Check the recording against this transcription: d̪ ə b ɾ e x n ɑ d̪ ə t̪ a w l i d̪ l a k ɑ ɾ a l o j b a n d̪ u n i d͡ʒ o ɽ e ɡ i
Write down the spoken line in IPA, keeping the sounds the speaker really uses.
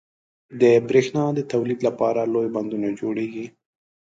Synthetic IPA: d̪ ə b ɾ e x n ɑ d̪ ə t̪ a w l i d̪ l a p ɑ ɾ a l o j b a n d̪ u n a d͡ʒ o ɽ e ɡ i